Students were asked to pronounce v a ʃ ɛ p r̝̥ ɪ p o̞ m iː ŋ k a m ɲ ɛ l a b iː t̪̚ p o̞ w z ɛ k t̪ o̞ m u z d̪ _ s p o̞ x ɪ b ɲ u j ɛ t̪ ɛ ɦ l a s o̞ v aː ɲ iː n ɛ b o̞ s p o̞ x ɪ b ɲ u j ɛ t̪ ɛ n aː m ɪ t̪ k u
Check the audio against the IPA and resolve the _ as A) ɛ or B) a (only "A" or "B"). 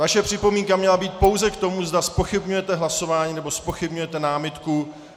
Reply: B